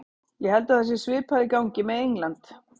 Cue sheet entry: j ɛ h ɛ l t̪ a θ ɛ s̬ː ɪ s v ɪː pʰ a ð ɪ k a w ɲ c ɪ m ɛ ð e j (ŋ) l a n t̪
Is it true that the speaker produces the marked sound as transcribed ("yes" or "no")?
yes